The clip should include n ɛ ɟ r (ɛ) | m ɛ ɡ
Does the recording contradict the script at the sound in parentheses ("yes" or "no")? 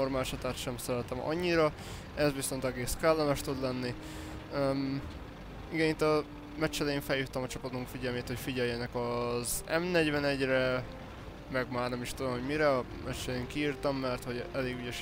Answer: no